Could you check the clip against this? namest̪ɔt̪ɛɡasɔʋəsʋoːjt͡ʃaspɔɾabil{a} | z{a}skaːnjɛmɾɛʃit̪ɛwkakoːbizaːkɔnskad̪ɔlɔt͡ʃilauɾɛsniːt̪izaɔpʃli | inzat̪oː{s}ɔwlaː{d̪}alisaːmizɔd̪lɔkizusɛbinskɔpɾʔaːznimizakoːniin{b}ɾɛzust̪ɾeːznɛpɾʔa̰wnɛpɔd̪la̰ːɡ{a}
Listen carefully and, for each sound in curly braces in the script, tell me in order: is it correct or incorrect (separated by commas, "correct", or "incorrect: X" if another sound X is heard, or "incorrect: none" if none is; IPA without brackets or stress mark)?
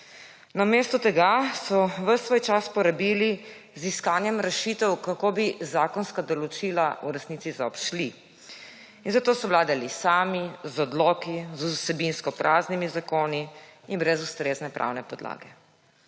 incorrect: i, incorrect: i, correct, correct, correct, incorrect: ɛ